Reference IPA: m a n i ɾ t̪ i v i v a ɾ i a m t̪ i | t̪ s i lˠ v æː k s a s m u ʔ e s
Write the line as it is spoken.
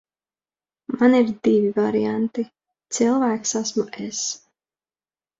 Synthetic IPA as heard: m a n i ɾ d̪ i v i v a ɾ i a n t̪ i | t̪ s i lˠ v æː k s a s m u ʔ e s

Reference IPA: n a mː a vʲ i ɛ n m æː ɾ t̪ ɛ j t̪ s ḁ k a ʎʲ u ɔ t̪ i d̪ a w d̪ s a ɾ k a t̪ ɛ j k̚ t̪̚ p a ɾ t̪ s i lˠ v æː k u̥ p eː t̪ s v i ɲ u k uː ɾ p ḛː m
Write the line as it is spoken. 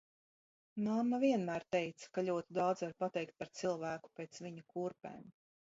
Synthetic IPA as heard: n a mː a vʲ i ɛ n m æː ɾ t̪ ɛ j t̪ s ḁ k a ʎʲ u ɔ t̪ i d̪ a w d̪ z a ɾ p a t̪ ɛ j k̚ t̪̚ p a ɾ t̪ s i lˠ v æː k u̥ p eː t̪ s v i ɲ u k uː ɾ p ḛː m

